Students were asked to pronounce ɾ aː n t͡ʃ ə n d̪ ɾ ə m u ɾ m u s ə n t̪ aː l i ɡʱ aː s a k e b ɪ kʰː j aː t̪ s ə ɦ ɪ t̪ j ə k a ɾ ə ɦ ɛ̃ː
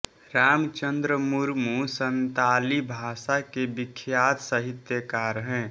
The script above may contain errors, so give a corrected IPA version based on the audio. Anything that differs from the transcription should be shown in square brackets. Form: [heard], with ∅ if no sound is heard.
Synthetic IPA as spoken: ɾ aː [m] t͡ʃ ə n d̪ ɾ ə m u ɾ m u s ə n t̪ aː l i [bʱ] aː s a k e b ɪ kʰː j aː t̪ s ə ɦ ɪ t̪ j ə k a ɾ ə ɦ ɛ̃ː